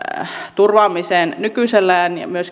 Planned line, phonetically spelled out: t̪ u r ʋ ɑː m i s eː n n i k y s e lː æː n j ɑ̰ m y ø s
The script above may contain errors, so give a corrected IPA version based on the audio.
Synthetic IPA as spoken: t̪ u r ʋ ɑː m i s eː n n y k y s e lː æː n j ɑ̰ m y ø s